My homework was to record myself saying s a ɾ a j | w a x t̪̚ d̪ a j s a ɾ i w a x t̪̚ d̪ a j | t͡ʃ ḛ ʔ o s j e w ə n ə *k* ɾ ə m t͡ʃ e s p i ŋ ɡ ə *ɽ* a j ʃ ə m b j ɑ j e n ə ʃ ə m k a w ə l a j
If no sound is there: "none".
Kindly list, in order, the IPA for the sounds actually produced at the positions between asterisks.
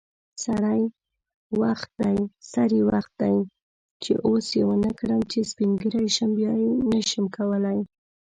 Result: k, ɾ

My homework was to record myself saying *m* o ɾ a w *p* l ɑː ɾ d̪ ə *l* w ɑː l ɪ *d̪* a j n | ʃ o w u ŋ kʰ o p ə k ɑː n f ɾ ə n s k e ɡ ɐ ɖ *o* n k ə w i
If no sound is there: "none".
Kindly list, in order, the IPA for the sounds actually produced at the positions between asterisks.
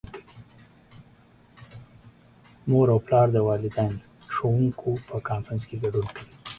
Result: m, p, none, d̪, u

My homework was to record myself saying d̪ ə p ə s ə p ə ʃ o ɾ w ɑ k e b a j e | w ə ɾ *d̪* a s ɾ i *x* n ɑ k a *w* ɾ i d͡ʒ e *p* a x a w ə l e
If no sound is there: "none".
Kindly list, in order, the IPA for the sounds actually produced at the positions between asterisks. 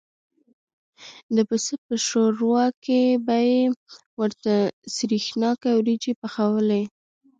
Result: t̪, x, w, p

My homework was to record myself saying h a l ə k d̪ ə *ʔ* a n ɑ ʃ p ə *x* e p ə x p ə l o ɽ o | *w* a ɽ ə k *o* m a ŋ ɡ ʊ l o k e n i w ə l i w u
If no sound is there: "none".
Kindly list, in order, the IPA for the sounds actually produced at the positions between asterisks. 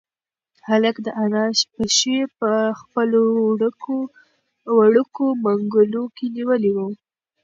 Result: ʔ, ʃ, w, o

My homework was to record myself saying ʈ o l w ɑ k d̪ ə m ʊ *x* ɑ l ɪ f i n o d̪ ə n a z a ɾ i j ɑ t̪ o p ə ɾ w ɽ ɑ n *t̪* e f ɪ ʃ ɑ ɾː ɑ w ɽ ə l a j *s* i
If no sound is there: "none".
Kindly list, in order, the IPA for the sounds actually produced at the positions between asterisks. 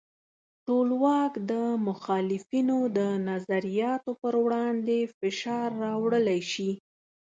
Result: x, d̪, ʃ

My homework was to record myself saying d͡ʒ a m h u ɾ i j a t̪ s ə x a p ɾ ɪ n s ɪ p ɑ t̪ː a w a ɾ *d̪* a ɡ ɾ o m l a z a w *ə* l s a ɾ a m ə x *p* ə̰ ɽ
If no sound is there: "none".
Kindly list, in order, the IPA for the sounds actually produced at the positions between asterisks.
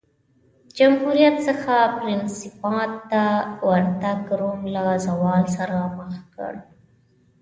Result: t̪, ɑ, k

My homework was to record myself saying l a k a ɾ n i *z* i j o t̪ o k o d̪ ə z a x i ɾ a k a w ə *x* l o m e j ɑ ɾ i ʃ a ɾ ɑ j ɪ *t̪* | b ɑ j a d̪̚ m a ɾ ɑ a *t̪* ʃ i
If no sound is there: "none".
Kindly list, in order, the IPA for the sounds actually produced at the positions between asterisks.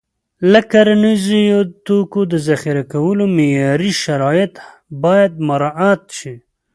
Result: z, none, t̪, t̪

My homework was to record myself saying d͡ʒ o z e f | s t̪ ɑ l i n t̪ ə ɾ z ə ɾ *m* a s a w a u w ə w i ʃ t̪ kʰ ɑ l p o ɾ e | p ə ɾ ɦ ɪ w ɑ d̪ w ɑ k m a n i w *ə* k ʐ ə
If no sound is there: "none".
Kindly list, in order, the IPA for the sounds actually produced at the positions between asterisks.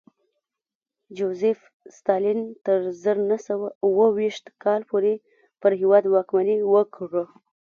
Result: n, ə

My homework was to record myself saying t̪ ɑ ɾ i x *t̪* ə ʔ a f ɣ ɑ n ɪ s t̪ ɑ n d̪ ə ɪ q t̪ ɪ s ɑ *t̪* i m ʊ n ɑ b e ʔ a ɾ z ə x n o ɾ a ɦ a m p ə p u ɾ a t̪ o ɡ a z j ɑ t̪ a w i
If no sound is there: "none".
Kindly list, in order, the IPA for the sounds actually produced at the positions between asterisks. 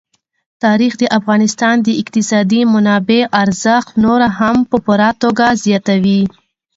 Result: d̪, d̪

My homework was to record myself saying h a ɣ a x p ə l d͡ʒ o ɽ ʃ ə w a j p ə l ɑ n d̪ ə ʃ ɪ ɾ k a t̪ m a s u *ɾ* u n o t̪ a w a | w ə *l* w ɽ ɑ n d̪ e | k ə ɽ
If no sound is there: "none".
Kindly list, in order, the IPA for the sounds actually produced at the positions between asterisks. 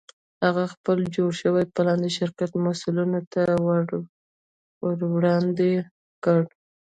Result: l, ɾ

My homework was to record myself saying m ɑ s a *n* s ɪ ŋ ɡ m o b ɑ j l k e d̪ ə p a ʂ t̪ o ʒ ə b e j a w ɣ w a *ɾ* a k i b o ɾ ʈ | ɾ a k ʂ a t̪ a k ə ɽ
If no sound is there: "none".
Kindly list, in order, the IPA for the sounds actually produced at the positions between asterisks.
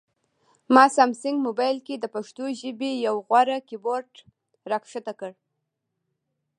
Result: m, ɾ

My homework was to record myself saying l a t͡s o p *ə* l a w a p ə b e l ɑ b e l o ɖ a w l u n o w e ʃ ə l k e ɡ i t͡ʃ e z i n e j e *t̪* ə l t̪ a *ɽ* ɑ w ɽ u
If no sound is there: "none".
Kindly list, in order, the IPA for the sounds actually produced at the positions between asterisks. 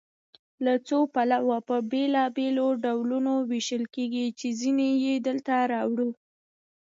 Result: a, d̪, ɾ

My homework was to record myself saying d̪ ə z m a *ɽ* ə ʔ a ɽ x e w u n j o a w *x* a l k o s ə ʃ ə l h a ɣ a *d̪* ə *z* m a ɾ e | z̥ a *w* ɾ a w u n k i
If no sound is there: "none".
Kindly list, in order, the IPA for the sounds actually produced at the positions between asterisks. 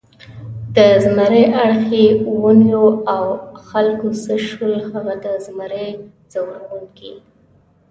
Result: ɾ, x, d̪, z, w

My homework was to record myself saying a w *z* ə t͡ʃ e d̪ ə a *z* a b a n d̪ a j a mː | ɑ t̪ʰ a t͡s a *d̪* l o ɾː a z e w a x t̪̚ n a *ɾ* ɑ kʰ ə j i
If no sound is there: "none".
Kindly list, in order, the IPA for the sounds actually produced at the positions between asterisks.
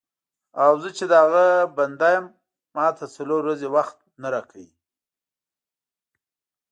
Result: z, ɣ, none, ɾ

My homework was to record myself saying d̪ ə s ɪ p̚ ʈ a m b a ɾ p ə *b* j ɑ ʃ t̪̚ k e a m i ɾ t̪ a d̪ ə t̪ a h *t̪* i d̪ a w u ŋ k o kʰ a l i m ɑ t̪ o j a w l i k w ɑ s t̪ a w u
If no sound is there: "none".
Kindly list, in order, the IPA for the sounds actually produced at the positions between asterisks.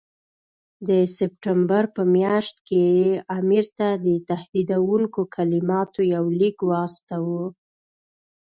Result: m, d̪

